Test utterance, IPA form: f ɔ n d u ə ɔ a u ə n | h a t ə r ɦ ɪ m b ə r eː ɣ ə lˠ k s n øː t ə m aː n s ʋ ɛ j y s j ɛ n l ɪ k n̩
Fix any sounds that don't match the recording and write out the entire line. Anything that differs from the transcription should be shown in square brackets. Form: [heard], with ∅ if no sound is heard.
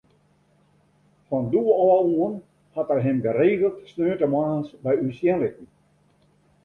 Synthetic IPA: f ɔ n d u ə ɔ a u ə n | h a t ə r ɦ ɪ m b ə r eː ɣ ə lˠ [t] s n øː t ə m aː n s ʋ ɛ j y s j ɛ n l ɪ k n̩